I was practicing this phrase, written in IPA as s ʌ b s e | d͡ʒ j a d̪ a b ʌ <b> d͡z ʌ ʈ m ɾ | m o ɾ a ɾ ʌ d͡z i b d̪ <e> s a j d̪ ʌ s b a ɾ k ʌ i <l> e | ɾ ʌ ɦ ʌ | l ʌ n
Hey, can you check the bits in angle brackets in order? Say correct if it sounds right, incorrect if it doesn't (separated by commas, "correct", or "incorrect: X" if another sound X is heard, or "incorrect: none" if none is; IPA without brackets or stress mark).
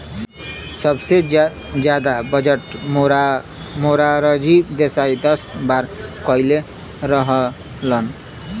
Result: incorrect: none, correct, correct